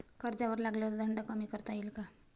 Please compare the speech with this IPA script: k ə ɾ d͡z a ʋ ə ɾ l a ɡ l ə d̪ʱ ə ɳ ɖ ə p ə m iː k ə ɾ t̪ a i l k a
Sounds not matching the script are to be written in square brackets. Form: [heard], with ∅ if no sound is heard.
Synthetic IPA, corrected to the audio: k ə ɾ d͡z a ʋ ə ɾ l a ɡ l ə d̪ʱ ə ɳ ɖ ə [k] ə m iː k ə ɾ t̪ a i l k a